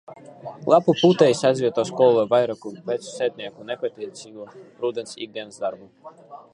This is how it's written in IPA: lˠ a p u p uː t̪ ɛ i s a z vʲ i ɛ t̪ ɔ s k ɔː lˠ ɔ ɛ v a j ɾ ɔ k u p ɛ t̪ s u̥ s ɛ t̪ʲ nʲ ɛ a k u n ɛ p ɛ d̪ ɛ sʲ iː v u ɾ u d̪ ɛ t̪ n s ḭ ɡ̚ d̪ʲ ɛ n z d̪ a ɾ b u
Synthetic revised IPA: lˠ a p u p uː t̪ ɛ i s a z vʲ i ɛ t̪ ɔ s k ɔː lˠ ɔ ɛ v a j ɾ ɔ k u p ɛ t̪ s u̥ s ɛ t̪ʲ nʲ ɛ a k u n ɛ p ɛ t̪ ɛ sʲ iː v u ɾ u d̪ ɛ n s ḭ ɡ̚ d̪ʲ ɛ n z d̪ a ɾ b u